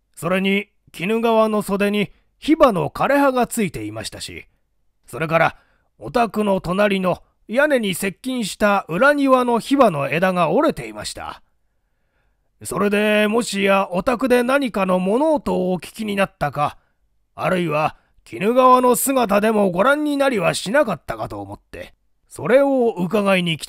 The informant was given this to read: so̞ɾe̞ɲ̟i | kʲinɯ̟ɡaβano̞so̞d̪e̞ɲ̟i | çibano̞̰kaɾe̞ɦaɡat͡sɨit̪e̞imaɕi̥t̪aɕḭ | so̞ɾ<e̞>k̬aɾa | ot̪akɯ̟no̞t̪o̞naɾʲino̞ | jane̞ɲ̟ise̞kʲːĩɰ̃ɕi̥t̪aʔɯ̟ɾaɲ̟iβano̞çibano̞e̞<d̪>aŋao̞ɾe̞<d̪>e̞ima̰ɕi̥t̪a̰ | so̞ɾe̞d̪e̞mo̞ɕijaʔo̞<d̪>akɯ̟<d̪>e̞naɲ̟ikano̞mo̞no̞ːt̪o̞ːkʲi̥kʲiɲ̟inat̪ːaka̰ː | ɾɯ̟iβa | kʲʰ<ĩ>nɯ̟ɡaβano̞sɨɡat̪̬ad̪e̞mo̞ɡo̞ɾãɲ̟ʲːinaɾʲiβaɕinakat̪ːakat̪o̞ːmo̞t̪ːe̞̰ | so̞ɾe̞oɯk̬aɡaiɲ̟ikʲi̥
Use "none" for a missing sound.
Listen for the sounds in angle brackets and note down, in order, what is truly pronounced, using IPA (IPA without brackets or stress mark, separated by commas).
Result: e̞, d̪, t̪, t̪, d̪, i